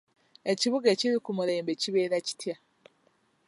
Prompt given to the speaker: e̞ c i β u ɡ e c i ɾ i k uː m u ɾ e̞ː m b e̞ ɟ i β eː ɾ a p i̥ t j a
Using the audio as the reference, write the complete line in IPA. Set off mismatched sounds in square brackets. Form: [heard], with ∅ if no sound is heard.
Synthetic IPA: e̞ c i β u ɡ e c i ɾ i k [u] m u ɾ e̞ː m b e̞ [c] i β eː ɾ a [c] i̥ t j a